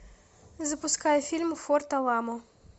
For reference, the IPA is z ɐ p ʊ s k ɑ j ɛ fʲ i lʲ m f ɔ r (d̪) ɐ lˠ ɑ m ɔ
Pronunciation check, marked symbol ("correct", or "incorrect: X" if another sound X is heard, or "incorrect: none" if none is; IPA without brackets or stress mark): incorrect: t̪